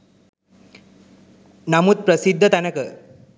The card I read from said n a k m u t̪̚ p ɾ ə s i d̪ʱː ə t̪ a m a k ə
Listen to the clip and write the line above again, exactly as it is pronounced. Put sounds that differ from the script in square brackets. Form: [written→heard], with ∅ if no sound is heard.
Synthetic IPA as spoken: n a [k→∅] m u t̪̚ p ɾ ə s i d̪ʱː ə t̪ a [m→n] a k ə